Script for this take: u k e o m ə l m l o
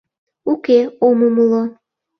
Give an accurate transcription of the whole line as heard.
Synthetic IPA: u k e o m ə m l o

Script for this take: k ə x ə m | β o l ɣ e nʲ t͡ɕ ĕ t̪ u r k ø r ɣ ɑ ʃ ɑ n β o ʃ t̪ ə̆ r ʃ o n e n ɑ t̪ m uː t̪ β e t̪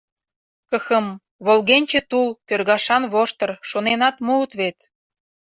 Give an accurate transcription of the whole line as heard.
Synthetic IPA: k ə x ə m | β o l ɣ e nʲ t͡ɕ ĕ t̪ u l k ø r ɣ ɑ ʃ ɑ n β o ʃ t̪ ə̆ r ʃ o n e n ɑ t̪ m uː t̪ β e t̪

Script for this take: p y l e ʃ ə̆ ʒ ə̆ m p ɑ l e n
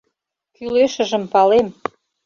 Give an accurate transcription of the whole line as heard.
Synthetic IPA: k y l e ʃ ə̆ ʒ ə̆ m p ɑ l e m

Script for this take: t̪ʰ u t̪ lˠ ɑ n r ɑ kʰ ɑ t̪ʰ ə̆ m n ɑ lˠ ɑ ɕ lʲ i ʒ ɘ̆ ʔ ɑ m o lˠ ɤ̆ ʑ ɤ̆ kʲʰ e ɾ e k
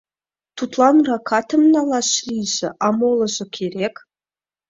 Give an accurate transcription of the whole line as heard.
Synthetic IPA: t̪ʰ u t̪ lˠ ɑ n r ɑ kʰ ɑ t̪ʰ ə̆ m n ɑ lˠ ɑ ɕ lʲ i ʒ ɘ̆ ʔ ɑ m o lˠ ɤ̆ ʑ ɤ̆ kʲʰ e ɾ e k

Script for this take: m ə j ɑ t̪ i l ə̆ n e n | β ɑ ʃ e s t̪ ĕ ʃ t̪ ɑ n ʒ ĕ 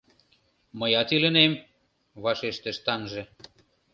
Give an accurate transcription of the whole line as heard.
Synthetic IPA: m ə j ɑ t̪ i l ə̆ n e m | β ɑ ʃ e ʃ t̪ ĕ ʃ t̪ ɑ n ʒ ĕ

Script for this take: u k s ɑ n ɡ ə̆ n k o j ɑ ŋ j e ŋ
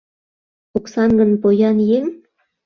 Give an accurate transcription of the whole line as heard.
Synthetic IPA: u k s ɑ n ɡ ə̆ n p o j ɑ n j e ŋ

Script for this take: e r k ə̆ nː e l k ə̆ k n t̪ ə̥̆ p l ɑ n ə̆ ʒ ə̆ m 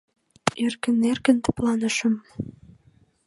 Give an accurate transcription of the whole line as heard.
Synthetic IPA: e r k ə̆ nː e r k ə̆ n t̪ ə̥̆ p l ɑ n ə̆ ʃ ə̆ m

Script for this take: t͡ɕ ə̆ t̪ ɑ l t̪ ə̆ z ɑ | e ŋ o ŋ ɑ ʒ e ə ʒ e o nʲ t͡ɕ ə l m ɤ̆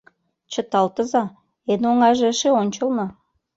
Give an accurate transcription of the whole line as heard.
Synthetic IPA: t͡ɕ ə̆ t̪ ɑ l t̪ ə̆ z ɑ | e n o ŋ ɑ ʒ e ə ʃ e o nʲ t͡ɕ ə l n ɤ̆

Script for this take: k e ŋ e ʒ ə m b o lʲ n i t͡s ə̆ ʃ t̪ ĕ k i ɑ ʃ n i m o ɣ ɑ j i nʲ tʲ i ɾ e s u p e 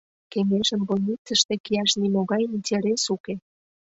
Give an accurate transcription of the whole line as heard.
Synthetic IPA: k e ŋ e ʒ ə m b o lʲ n i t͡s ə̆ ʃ t̪ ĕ k i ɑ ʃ n i m o ɣ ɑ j i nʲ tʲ e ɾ e s u k e

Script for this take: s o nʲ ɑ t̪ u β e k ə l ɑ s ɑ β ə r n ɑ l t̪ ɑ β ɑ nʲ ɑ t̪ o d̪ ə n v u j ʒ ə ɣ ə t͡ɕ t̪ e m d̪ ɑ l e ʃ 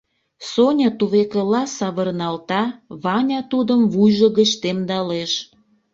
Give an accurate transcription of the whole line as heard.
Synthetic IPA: s o nʲ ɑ t̪ u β e k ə l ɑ s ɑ β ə r n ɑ l t̪ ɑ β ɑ nʲ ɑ t̪ u d̪ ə m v u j ʒ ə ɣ ə t͡ɕ t̪ e m d̪ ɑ l e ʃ

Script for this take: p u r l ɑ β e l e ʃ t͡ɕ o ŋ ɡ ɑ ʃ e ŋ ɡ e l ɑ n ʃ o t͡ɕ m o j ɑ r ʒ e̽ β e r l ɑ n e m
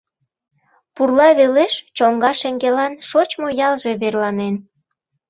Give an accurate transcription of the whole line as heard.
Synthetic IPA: p u r l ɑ β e l e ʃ t͡ɕ o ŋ ɡ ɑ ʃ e ŋ ɡ e l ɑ n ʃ o t͡ɕ m o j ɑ l ʒ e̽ β e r l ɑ n e n

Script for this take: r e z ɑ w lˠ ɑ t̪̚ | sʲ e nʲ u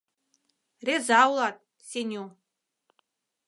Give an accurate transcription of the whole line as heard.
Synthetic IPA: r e z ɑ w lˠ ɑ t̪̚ | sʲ e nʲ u

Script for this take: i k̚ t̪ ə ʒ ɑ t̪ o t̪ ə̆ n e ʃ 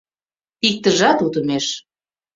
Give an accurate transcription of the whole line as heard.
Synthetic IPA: i k̚ t̪ ə ʒ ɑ t̪ u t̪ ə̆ m e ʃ

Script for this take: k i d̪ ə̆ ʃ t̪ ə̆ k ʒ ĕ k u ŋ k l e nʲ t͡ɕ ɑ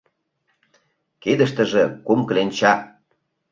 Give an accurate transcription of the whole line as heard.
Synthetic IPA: k e d̪ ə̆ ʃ t̪ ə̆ ʒ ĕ k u m k l e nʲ t͡ɕ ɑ

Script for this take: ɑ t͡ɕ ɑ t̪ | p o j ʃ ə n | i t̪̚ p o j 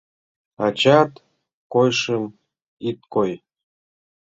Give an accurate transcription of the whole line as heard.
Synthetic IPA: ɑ t͡ɕ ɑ t̪ | k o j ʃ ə m | i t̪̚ k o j

